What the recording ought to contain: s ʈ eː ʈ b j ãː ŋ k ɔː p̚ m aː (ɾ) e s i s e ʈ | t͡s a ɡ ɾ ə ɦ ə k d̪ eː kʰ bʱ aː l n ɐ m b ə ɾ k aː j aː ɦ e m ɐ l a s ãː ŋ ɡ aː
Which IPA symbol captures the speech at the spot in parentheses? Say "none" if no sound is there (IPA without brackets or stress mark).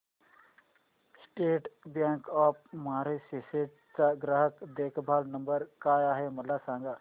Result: ɾ